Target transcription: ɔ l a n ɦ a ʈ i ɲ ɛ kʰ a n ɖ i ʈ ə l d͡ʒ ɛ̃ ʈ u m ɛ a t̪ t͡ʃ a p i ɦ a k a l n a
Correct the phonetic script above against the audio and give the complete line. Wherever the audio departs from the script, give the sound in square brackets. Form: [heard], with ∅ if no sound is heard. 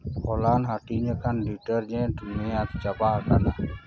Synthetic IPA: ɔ l a n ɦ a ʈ i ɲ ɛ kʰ a n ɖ i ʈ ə [ɾ] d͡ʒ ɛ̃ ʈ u m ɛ a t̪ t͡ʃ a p [a] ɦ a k a [∅] n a